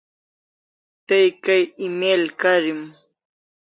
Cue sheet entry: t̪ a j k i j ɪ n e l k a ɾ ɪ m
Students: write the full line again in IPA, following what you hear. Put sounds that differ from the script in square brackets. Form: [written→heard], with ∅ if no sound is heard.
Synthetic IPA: t̪ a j k [i→a] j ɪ [n→m] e l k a ɾ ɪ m

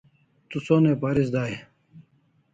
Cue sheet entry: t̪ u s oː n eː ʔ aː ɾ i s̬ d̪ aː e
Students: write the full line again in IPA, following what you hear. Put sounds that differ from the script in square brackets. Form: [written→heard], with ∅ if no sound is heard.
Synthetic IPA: t̪ u s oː n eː [ʔ→p] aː ɾ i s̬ d̪ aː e

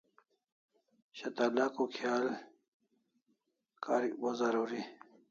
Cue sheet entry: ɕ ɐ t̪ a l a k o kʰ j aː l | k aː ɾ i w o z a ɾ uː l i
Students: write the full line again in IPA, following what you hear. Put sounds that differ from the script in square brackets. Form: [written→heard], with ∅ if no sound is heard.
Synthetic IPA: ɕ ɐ t̪ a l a k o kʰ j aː l | k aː ɾ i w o z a ɾ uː [l→ɾ] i

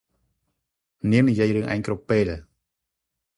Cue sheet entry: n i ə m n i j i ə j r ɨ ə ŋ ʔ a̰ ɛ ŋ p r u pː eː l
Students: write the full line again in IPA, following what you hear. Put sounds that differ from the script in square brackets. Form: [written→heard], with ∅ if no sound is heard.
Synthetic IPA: n i ə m n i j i ə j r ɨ ə ŋ ʔ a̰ ɛ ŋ [p→k] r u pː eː l

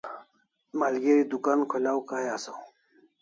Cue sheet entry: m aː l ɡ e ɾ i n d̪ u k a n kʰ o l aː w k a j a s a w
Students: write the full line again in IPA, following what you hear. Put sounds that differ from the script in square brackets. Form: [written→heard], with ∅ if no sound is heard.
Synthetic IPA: m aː l ɡ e ɾ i [n→∅] d̪ u k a n kʰ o l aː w k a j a s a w

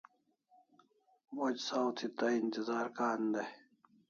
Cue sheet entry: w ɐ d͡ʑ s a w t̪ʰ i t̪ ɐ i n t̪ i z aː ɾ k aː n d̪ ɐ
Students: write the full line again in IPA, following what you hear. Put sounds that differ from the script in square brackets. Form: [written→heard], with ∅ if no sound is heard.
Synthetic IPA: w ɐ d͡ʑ s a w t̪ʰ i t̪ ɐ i n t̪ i z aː ɾ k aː n d̪ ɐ

